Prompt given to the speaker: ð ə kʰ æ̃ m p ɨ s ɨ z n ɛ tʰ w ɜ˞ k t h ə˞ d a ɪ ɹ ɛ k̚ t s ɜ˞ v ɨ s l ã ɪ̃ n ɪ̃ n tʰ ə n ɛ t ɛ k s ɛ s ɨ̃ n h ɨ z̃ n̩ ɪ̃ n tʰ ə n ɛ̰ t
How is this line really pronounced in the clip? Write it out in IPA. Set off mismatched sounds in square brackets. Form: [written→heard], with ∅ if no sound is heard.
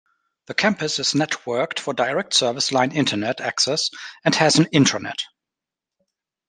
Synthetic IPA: ð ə kʰ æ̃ m p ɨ s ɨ z n ɛ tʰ w ɜ˞ k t [h→f] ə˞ d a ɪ ɹ ɛ k̚ t s ɜ˞ v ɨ s l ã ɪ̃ n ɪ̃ n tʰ ə n ɛ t [ɛ→æ] k s ɛ s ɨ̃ n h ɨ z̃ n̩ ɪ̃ n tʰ ə n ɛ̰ t

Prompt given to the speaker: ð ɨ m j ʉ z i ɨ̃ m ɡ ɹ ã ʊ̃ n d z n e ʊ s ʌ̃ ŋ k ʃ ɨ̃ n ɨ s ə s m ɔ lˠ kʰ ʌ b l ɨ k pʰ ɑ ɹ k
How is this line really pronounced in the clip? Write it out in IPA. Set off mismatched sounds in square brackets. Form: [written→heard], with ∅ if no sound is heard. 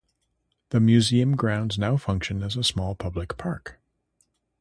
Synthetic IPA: ð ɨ m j ʉ z i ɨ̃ m ɡ ɹ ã ʊ̃ n d z n [e→a] ʊ [s→f] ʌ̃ ŋ k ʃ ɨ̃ n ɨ [s→z] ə s m ɔ lˠ [kʰ→pʰ] ʌ b l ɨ k pʰ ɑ ɹ k

